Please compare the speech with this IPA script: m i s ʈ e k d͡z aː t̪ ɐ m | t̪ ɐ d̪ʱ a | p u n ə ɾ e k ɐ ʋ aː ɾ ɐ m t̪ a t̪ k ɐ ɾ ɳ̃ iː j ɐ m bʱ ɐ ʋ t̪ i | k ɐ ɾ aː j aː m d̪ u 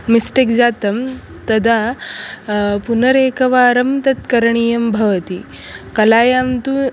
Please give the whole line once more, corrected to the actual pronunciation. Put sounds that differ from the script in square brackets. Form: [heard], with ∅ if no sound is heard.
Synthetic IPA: m i s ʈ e k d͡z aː t̪ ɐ m | t̪ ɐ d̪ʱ a | p u n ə ɾ e k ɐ ʋ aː ɾ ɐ m t̪ [ɐ] t̪ k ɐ ɾ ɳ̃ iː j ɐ m bʱ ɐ ʋ t̪ i | k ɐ [l] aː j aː m [t̪] u

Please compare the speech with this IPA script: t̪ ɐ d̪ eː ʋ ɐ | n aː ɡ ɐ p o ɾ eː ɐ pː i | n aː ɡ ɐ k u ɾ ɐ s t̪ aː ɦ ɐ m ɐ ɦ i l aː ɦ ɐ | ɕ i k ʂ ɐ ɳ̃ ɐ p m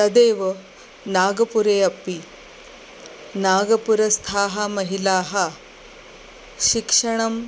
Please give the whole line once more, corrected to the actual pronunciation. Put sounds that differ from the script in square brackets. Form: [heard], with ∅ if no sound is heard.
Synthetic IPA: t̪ ɐ d̪ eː ʋ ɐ | n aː ɡ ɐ p [u] ɾ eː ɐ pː i | n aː ɡ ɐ [p] u ɾ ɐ s [t̪ʰ] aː ɦ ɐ m ɐ ɦ i l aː ɦ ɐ | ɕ i k ʂ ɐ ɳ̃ ɐ [∅] m

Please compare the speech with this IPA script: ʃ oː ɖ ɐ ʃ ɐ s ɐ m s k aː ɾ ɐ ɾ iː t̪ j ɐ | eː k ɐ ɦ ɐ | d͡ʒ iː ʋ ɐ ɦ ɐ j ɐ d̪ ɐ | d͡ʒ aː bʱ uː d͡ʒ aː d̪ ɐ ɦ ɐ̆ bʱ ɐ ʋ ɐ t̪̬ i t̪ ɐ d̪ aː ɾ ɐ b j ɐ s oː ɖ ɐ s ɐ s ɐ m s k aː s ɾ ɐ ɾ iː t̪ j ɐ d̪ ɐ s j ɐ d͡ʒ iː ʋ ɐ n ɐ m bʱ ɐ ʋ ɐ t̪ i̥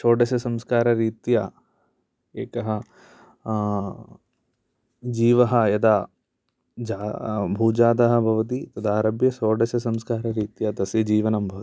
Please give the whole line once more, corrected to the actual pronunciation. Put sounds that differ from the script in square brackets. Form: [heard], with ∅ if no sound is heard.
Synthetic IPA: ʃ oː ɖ ɐ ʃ ɐ s ɐ m s k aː ɾ ɐ ɾ iː t̪ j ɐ | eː k ɐ ɦ ɐ | d͡ʒ iː ʋ ɐ ɦ ɐ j ɐ d̪ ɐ | d͡ʒ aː bʱ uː d͡ʒ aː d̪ ɐ ɦ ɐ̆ bʱ ɐ ʋ ɐ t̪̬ i t̪ ɐ d̪ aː ɾ ɐ b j ɐ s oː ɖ ɐ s ɐ s ɐ m s k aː [∅] ɾ ɐ ɾ iː t̪ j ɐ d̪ ɐ s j ɐ d͡ʒ iː ʋ ɐ n ɐ m bʱ ɐ ʋ ɐ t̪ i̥

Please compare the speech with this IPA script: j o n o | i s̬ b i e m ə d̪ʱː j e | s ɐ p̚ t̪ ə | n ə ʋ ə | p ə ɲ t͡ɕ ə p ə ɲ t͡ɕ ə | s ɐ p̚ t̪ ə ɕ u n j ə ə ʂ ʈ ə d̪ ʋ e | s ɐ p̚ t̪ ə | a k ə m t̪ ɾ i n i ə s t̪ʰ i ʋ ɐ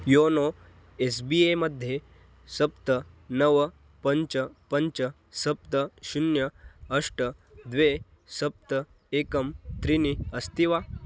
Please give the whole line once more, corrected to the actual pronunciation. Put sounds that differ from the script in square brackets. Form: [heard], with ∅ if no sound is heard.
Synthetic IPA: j o n o | [e] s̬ b i e m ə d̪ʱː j e | s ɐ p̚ t̪ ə | n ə ʋ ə | p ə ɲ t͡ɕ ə p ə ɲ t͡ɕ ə | s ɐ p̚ t̪ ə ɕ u n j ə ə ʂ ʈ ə d̪ ʋ e | s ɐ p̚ t̪ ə | [e] k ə m t̪ ɾ i n i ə s [t̪] i ʋ [a]

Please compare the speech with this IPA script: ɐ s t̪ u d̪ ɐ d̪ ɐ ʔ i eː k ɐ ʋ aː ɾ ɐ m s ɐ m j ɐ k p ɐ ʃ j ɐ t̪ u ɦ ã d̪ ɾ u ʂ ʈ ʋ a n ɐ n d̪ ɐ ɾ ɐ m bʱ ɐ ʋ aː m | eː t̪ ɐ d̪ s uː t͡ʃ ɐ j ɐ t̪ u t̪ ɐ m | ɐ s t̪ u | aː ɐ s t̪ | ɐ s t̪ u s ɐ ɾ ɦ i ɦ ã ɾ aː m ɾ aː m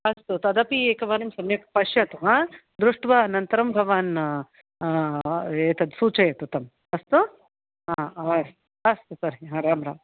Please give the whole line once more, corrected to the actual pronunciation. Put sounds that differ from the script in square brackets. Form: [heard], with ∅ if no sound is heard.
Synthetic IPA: ɐ s t̪ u [t̪] ɐ d̪ ɐ [p] i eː k ɐ ʋ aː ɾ ɐ m s ɐ m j ɐ k p ɐ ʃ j ɐ t̪ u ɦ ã d̪ ɾ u ʂ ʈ ʋ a n ɐ n [t̪] ɐ ɾ ɐ m bʱ ɐ ʋ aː [n] | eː t̪ ɐ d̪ s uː t͡ʃ ɐ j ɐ t̪ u t̪ ɐ m | ɐ s t̪ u | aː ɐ s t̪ | ɐ s t̪ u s ɐ ɾ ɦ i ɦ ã ɾ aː m ɾ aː m

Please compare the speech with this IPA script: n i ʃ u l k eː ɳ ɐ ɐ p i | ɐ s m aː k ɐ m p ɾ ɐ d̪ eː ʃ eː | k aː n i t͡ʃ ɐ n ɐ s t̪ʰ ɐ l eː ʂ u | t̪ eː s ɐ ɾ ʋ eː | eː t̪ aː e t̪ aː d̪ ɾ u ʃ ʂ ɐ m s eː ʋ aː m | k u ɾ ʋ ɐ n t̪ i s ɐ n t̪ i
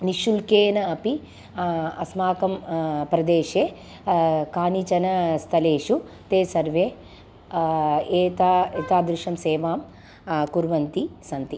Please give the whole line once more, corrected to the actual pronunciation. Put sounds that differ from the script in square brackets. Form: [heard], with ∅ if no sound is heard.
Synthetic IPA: n i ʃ u l k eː [n] ɐ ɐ p i | ɐ s m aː k ɐ m p ɾ ɐ d̪ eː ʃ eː | k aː n i t͡ʃ ɐ n ɐ s t̪ʰ ɐ l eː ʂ u | t̪ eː s ɐ ɾ ʋ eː | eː t̪ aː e t̪ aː d̪ ɾ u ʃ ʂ ɐ m s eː ʋ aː m | k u ɾ ʋ ɐ n t̪ i s ɐ n t̪ i

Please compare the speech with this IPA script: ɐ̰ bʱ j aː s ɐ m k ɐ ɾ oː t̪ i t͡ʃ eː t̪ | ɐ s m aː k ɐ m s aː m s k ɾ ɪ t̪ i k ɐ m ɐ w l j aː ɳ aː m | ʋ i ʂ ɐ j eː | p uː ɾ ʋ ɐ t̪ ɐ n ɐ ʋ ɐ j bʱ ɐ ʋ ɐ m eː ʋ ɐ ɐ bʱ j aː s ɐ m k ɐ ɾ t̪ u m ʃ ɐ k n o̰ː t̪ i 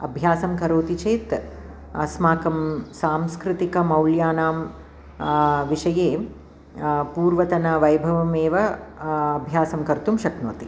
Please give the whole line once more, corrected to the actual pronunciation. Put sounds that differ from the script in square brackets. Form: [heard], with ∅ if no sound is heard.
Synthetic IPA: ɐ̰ bʱ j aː s ɐ m k ɐ ɾ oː t̪ i t͡ʃ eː t̪ | ɐ s m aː k ɐ m s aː m s k ɾ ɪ t̪ i k ɐ m ɐ w l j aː [n] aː m | ʋ i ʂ ɐ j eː | p uː ɾ ʋ ɐ t̪ ɐ n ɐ ʋ ɐ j bʱ ɐ ʋ ɐ m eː ʋ ɐ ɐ bʱ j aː s ɐ m k ɐ ɾ t̪ u m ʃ ɐ k n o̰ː t̪ i

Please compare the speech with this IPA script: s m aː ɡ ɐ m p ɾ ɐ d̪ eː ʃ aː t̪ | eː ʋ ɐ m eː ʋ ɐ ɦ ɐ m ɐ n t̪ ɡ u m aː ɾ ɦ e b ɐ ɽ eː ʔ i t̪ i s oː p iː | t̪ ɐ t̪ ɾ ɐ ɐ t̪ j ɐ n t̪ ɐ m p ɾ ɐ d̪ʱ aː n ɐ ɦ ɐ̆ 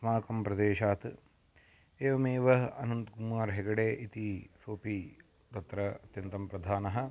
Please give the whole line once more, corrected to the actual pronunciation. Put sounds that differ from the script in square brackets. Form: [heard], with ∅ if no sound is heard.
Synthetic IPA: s m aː [k] ɐ m p ɾ ɐ d̪ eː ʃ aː t̪ | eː ʋ ɐ m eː ʋ ɐ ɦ ɐ [n] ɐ n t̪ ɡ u m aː ɾ ɦ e [ɡ] ɐ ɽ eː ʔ i t̪ i s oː p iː | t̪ ɐ t̪ ɾ ɐ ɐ t̪ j ɐ n t̪ ɐ m p ɾ ɐ d̪ʱ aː n ɐ ɦ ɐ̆

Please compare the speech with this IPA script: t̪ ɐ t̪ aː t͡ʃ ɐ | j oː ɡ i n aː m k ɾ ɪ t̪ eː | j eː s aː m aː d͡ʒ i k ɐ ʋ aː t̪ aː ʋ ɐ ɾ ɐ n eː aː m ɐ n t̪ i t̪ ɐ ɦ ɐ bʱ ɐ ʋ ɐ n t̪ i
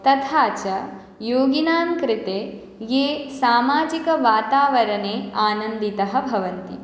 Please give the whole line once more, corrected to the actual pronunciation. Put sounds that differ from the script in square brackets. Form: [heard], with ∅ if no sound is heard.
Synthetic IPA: t̪ ɐ [t̪ʰ] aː t͡ʃ ɐ | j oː ɡ i n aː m k ɾ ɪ t̪ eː | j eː s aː m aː d͡ʒ i k ɐ ʋ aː t̪ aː ʋ ɐ ɾ ɐ n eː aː [n] ɐ n [d̪] i t̪ ɐ ɦ ɐ bʱ ɐ ʋ ɐ n t̪ i

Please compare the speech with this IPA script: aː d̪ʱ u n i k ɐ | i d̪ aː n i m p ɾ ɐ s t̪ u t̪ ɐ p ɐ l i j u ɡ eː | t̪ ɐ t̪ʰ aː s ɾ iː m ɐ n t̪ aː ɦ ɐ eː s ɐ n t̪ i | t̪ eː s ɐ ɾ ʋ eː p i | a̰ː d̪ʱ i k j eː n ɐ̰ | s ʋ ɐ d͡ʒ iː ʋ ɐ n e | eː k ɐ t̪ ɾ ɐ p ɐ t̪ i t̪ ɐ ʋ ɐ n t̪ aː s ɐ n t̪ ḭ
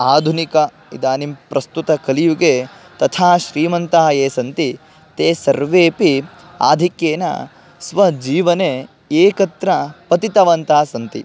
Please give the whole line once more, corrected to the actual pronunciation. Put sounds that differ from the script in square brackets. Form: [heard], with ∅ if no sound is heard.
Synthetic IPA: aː d̪ʱ u n i k ɐ | i d̪ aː n i m p ɾ ɐ s t̪ u t̪ ɐ [k] ɐ l i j u ɡ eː | t̪ ɐ t̪ʰ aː [ʃ] ɾ iː m ɐ n t̪ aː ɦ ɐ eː s ɐ n t̪ i | t̪ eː s ɐ ɾ ʋ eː p i | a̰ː d̪ʱ i k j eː n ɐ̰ | s ʋ ɐ d͡ʒ iː ʋ ɐ n e | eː k ɐ t̪ ɾ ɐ p ɐ t̪ i t̪ ɐ ʋ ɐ n t̪ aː s ɐ n t̪ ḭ

